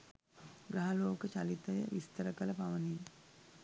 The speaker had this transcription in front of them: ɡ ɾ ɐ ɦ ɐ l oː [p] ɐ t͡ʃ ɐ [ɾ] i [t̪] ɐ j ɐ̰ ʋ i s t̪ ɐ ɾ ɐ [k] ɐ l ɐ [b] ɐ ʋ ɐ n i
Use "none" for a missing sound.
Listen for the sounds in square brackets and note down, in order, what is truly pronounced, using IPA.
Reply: k, l, t̪, k, p

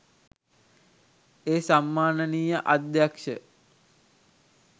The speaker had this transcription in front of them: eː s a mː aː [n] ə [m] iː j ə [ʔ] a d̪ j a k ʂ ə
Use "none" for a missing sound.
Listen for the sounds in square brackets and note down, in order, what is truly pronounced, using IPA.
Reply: n, n, ʔ

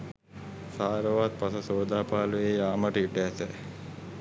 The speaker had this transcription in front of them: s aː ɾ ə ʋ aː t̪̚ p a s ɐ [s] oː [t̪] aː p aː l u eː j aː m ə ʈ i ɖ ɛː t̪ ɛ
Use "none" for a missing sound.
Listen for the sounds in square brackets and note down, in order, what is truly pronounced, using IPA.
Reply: s, d̪

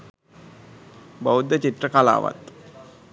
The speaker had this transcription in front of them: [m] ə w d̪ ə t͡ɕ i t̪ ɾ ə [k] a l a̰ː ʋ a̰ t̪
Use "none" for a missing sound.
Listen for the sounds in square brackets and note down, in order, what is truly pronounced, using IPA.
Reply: b, k

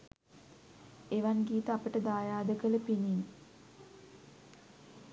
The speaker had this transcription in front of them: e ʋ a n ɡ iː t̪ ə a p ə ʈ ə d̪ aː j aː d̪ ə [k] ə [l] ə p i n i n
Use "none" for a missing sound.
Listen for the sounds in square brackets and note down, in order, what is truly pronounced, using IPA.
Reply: k, l

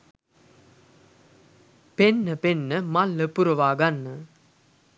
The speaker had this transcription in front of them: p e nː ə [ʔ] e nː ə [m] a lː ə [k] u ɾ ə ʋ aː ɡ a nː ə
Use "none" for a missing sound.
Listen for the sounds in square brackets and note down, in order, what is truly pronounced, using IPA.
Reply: p, m, p

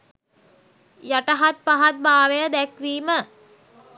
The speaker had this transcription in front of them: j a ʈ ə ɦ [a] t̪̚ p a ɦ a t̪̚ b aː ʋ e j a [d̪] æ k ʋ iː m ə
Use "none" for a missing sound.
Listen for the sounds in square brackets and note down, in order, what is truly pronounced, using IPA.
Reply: a, d̪

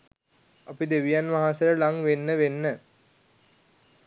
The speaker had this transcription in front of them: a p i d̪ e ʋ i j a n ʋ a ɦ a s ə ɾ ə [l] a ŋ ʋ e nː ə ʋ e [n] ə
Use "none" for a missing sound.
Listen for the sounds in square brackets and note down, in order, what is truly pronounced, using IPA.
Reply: l, nː

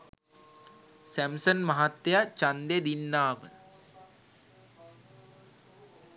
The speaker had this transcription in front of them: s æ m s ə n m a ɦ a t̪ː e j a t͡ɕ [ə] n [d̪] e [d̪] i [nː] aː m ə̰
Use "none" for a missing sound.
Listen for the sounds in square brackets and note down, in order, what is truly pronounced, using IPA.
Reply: a, d̪, d̪, nː

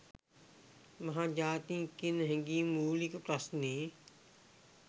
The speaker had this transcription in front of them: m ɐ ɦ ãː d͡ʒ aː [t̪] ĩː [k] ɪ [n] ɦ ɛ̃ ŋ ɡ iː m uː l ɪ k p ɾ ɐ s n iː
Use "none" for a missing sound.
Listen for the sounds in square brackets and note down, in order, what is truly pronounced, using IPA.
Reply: t̪, k, n

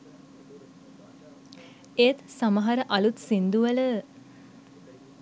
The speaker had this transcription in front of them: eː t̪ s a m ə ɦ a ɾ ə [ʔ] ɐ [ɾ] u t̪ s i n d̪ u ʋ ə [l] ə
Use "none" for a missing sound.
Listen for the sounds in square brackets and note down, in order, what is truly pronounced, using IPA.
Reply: ʔ, l, l

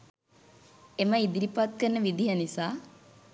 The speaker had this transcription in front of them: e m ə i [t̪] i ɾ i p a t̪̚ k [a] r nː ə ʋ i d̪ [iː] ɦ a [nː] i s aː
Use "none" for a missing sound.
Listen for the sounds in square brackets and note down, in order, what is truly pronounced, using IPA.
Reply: d̪, ə, i, n

